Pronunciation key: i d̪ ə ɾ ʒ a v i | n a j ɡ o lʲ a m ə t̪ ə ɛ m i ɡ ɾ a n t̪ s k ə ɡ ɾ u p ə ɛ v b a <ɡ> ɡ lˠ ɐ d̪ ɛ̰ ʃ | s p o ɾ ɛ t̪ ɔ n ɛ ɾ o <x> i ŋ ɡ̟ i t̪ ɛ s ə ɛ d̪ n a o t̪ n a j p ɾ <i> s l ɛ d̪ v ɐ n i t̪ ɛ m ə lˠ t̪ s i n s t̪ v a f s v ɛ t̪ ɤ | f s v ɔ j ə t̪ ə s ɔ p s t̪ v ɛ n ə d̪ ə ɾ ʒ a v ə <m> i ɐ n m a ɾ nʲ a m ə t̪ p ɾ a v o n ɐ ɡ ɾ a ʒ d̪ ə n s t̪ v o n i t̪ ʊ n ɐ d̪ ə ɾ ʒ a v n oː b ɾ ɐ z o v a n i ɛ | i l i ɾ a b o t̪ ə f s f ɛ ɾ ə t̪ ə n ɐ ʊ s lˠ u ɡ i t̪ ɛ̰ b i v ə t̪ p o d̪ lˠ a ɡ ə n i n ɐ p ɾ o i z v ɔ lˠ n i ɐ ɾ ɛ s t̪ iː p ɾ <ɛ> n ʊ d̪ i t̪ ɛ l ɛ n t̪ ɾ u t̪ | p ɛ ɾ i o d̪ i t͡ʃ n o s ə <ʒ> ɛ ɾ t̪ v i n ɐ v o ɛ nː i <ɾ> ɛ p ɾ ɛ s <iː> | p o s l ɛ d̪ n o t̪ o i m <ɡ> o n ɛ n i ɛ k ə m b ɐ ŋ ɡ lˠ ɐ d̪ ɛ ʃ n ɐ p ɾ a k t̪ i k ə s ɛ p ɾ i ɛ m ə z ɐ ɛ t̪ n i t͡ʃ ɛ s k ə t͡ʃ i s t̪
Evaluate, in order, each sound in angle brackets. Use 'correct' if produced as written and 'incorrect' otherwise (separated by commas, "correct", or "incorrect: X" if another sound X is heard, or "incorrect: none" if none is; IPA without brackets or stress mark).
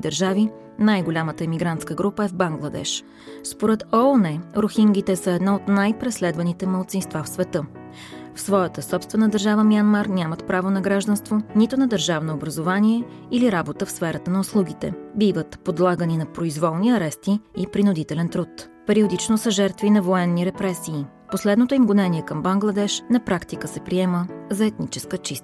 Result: incorrect: ŋ, correct, incorrect: ɛ, correct, incorrect: i, correct, correct, correct, correct